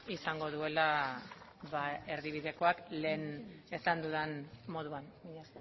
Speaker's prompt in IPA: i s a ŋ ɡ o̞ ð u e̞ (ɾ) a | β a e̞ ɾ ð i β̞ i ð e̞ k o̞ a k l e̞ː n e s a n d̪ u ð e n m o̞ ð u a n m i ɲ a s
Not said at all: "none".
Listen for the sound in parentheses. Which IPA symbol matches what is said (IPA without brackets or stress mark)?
l